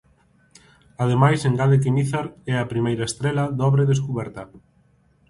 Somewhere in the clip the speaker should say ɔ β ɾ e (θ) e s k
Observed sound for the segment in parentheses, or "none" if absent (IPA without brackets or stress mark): ð